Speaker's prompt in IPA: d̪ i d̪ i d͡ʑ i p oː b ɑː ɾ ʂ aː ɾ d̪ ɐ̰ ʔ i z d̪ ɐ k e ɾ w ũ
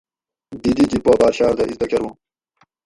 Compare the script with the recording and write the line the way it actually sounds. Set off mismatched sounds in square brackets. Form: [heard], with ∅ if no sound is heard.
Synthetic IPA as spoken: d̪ i d̪ i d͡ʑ i p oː b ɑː ɾ [ɕ] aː ɾ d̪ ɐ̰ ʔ i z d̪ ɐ k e ɾ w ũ